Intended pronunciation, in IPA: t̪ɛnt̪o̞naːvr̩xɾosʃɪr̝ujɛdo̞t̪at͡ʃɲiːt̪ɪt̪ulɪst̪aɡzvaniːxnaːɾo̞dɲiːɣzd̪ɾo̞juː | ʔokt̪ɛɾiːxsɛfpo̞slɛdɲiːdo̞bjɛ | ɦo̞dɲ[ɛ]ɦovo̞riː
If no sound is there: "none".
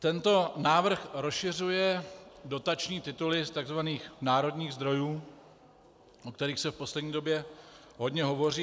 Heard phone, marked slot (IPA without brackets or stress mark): ɛ